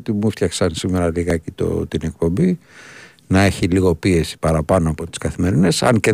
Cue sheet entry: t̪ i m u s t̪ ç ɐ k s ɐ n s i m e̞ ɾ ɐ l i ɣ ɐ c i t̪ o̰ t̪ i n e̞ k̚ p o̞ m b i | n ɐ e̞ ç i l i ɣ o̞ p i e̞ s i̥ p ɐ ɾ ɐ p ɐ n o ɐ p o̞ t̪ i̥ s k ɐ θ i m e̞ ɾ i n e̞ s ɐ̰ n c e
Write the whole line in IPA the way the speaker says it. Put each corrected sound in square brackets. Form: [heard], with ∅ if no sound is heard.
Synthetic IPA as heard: t̪ i m u [f] t̪ ç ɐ k s ɐ n s i m e̞ ɾ ɐ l i ɣ ɐ c i t̪ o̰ t̪ i n e̞ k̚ p o̞ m b i | n ɐ e̞ ç i l i ɣ o̞ p i e̞ s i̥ p ɐ ɾ ɐ p ɐ n o ɐ p o̞ t̪ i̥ s k ɐ θ i m e̞ ɾ i n e̞ s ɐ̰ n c e